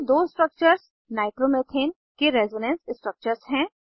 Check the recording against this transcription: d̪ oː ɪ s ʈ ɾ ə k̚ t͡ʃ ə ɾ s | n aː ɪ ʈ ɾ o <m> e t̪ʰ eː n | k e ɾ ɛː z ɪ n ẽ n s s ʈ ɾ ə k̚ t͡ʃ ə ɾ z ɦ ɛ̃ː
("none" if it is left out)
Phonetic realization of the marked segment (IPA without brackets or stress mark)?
m